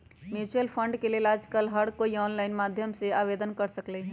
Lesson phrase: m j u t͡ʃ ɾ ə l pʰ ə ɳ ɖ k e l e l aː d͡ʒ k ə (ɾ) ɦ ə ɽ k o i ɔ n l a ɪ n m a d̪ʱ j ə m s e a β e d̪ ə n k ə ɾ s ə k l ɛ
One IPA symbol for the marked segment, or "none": l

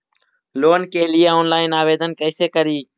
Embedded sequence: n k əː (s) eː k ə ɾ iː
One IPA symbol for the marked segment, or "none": s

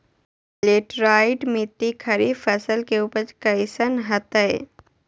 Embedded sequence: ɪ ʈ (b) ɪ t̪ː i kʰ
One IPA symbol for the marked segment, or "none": m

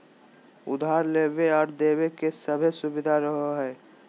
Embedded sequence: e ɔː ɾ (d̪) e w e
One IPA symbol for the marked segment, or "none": d̪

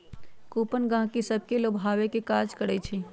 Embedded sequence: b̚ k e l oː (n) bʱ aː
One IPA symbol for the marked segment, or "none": none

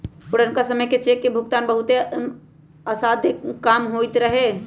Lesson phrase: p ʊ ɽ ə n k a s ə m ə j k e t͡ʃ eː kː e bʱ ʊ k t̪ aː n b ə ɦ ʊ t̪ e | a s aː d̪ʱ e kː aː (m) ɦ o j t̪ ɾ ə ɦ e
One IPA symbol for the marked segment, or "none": m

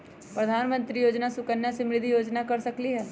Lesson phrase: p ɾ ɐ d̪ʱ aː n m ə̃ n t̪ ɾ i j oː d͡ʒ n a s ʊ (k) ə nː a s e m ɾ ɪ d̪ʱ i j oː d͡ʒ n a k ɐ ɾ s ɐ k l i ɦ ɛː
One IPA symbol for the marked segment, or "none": k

